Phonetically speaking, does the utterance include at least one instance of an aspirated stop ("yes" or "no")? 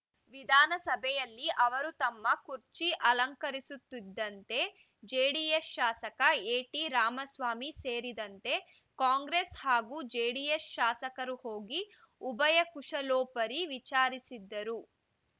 no